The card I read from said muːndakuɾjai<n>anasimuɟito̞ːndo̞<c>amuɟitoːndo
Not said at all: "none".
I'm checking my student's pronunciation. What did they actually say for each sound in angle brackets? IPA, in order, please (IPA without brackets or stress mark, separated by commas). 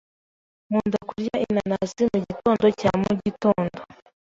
n, c